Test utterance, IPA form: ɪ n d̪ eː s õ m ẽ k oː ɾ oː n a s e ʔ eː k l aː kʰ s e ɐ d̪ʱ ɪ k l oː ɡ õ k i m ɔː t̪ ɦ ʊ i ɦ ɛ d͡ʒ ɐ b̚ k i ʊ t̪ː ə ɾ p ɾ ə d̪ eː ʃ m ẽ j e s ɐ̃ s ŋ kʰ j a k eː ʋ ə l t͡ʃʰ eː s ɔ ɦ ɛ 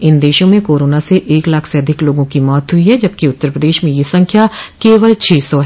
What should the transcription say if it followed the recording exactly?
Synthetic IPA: ɪ n d̪ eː ʃ õ m ẽ k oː ɾ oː n a s e ʔ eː k l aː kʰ s e ɐ d̪ʱ ɪ k l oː ɡ õ k i m ɔː t̪ ɦ ʊ i ɦ ɛ d͡ʒ ɐ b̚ k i ʊ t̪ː ə ɾ p ɾ ə d̪ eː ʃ m ẽ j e s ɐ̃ ŋ kʰ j a k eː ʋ ə l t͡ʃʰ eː s ɔ ɦ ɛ